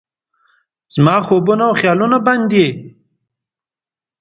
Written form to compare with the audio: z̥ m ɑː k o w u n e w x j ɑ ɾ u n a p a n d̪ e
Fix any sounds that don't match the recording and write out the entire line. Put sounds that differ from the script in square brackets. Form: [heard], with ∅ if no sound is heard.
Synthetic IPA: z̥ m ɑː [x] o [b] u n [a] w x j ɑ [l] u n a [b] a n d̪ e